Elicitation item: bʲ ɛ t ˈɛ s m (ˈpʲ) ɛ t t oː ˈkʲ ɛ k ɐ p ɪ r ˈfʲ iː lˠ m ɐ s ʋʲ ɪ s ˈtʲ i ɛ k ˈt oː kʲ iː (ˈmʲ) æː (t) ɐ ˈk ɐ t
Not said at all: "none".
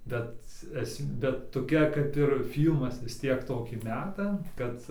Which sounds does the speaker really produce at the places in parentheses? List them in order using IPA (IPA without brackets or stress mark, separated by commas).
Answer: bʲ, mʲ, t